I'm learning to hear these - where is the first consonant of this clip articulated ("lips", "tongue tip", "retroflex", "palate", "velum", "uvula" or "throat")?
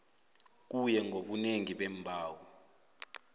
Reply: velum